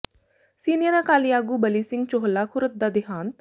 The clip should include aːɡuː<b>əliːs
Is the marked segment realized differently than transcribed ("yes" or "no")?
no